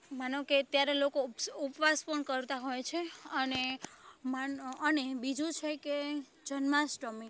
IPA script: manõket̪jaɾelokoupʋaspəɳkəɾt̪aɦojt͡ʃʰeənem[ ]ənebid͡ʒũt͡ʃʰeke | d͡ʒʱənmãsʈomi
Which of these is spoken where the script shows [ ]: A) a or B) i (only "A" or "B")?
A